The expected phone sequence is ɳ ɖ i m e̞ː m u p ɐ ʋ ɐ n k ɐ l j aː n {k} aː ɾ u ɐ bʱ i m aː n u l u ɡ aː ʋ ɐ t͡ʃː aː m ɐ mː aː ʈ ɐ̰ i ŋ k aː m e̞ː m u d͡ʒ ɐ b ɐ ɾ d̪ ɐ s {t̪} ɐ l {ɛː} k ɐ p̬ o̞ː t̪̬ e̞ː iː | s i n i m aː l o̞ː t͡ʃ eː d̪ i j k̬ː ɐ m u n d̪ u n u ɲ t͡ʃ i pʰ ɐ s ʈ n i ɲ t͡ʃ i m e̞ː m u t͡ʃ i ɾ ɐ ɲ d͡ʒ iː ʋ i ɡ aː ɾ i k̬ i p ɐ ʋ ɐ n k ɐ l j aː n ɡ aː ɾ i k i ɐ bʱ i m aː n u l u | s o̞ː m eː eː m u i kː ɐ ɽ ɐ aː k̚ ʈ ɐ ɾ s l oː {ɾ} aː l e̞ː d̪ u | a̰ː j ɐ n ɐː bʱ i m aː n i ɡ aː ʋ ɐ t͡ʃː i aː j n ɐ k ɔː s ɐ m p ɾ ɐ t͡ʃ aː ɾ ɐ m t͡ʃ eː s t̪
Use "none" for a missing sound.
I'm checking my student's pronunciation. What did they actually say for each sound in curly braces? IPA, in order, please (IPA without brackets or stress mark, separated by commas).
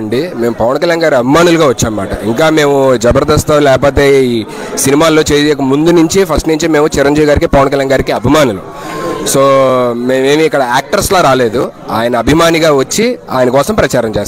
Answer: ɡ, t̪, ɛː, ɾ